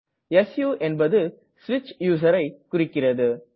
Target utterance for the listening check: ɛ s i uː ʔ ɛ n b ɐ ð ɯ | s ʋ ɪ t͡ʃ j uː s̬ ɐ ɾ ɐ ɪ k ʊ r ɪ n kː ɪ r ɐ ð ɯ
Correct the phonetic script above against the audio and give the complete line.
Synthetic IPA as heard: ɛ s j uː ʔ ɛ n b ɐ ð ɯ | s ʋ ɪ t͡ʃ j uː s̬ ɐ ɾ ɐ ɪ k ʊ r ɪ kː ɪ r ɐ ð ɯ

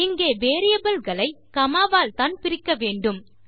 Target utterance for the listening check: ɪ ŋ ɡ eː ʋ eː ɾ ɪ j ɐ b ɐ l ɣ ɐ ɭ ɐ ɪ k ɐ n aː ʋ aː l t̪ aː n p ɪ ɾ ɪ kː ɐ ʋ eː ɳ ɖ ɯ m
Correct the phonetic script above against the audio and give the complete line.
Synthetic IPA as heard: ɪ ŋ ɡ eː ʋ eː ɾ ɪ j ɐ b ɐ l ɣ ɐ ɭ ɐ ɪ k ɐ m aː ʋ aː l t̪ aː n p ɪ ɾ ɪ kː ɐ ʋ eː ɳ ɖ ɯ m

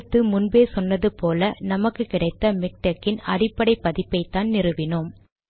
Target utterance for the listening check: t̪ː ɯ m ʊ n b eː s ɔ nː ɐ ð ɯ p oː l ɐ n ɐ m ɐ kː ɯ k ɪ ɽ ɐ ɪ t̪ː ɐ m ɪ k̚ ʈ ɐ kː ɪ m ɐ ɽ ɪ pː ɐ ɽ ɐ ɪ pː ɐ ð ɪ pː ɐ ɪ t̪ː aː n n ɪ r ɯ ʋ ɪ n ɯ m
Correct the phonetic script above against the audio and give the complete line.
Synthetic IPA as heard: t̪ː ɯ m ʊ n b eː s ɔ nː ɐ ð ɯ p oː l ɐ n ɐ m ɐ kː ɯ k ɪ ɽ ɐ ɪ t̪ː ɐ m ɪ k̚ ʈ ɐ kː ɪ n ɐ ɽ ɪ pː ɐ ɽ ɐ ɪ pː ɐ ð ɪ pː ɐ ɪ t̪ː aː n n ɪ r ɯ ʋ ɪ n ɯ m

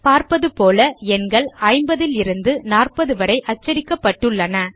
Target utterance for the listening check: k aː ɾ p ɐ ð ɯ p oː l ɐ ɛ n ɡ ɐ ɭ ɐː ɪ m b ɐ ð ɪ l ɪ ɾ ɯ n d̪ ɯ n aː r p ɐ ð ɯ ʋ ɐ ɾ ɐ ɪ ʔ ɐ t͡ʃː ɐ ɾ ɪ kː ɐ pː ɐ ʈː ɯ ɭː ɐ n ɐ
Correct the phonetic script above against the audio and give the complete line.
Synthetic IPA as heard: p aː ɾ p ɐ ð ɯ p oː l ɐ ɛ n ɡ ɐ ɭ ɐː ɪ m b ɐ ð ɪ l ɪ ɾ ɯ n d̪ ɯ n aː r p ɐ ð ɯ ʋ ɐ ɾ ɐ ɪ ʔ ɐ t͡ʃː ɐ ɾ ɪ kː ɐ pː ɐ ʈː ɯ ɭː ɐ n ɐ

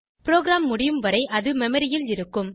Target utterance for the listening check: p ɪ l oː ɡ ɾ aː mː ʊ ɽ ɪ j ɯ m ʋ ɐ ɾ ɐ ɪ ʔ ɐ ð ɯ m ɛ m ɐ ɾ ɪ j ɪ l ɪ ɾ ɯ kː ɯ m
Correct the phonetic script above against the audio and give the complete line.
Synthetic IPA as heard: p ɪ ɾ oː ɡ ɾ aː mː ʊ ɽ ɪ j ɯ m ʋ ɐ ɾ ɐ ɪ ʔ ɐ ð ɯ m ɛ m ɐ ɾ ɪ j ɪ l ɪ ɾ ɯ kː ɯ m

